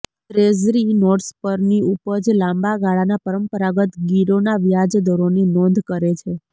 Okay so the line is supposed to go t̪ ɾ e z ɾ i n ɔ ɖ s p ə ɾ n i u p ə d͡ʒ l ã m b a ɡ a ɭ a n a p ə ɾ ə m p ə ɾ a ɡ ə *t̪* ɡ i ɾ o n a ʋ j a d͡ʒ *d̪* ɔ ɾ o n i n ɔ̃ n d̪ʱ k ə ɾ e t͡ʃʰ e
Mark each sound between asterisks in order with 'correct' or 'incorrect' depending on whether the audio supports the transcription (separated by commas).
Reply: correct, correct